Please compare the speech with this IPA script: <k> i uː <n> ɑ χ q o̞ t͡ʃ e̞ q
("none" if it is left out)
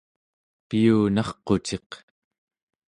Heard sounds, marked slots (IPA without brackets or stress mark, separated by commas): p, n